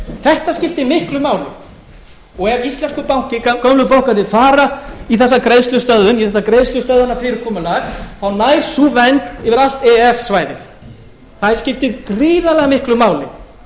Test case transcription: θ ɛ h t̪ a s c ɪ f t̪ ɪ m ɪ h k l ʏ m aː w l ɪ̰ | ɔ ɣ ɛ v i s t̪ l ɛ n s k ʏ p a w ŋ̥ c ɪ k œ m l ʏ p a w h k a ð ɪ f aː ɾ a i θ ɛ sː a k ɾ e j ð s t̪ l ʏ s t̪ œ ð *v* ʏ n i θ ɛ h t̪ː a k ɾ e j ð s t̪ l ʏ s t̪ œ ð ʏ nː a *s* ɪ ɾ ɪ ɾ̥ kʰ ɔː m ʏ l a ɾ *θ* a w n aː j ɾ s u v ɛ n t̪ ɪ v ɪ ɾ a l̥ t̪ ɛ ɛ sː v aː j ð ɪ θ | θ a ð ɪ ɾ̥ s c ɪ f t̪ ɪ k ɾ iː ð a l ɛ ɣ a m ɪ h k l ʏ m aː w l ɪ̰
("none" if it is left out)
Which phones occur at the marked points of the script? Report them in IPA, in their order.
ð, f, θ

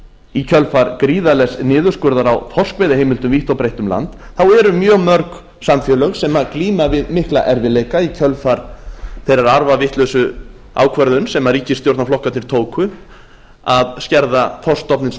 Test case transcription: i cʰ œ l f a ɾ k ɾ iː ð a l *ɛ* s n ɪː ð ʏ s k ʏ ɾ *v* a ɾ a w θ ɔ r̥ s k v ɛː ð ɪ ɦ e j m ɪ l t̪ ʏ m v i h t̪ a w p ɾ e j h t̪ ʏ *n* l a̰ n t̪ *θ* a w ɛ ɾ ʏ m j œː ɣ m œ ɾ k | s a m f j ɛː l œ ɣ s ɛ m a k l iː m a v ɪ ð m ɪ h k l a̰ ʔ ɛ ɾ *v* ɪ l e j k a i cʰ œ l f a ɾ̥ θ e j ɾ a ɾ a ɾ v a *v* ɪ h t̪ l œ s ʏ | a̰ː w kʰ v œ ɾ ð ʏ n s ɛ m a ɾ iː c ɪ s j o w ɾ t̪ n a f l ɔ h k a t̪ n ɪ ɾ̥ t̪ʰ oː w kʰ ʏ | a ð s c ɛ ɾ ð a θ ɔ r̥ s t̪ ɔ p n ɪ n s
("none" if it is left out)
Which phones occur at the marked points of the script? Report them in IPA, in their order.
ɛ, ð, m, θ, v, v

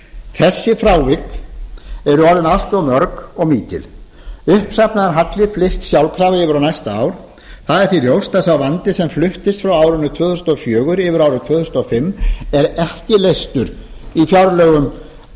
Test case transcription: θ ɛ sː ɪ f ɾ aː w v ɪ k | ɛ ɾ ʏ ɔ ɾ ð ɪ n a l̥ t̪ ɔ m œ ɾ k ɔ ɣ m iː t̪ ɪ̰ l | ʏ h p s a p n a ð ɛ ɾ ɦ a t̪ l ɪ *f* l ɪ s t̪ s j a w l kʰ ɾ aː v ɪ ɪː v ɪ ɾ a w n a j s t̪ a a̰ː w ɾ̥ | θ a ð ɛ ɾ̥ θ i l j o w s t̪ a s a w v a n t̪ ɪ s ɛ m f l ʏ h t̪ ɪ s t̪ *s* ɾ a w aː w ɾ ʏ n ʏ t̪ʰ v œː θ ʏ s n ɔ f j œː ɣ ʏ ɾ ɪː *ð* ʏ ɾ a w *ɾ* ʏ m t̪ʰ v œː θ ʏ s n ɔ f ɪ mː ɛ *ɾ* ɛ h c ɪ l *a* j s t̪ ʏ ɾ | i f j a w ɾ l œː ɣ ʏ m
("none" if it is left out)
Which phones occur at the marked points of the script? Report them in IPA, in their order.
f, f, v, ɾ, ɾ, e

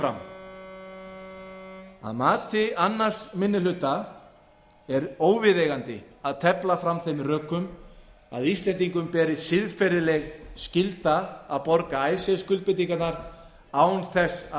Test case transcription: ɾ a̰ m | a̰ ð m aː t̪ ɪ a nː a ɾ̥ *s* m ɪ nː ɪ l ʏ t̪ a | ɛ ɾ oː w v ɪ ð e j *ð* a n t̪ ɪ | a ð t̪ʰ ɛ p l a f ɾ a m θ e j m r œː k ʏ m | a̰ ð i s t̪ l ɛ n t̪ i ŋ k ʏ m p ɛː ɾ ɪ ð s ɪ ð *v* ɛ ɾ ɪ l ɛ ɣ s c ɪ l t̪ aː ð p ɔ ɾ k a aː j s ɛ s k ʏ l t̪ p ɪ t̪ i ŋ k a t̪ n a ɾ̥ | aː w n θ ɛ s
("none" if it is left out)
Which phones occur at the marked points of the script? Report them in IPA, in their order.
s, ɣ, f

